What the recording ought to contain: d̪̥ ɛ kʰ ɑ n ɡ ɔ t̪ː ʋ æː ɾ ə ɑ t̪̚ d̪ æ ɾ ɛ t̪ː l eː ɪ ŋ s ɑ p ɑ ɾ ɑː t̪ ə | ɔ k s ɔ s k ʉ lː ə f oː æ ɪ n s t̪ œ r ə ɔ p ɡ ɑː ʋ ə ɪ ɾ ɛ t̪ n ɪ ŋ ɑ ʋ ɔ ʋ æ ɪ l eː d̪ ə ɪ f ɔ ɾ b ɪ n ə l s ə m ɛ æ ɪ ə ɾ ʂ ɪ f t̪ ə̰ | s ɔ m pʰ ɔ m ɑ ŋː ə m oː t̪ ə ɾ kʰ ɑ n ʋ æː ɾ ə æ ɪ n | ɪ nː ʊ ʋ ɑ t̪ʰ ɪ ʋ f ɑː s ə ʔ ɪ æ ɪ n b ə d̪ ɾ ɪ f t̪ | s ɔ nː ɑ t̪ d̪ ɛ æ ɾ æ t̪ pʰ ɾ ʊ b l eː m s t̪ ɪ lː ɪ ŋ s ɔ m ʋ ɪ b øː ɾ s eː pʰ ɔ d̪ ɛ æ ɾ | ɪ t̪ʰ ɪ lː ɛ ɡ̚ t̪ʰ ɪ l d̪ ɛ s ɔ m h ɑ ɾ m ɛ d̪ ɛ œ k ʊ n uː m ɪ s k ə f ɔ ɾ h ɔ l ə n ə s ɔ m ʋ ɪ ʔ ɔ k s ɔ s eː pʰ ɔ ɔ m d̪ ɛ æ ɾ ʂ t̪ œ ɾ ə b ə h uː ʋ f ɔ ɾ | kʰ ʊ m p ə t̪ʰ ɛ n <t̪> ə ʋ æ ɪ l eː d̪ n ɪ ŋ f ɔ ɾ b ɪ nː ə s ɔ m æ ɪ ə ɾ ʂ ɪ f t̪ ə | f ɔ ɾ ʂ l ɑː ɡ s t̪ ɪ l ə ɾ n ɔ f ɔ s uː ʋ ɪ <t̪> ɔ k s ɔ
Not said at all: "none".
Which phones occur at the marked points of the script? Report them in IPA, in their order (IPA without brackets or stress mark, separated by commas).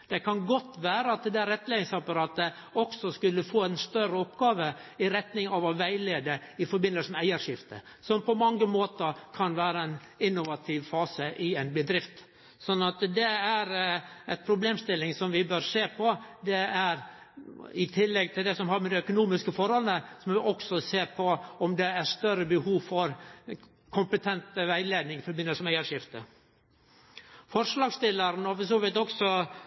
t̪, t̪